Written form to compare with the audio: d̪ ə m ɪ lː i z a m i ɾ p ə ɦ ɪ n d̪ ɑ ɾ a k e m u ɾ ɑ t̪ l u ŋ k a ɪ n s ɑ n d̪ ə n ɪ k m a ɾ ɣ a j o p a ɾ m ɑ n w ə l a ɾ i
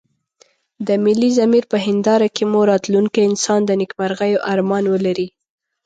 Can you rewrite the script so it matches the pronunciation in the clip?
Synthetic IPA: d̪ ə m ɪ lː i z a m i ɾ p ə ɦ ɪ n d̪ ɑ ɾ a k e m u ɾ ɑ t̪ l u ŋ k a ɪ n s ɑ n d̪ ə n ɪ k m a ɾ ɣ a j o ʔ a ɾ m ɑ n w ə l a ɾ i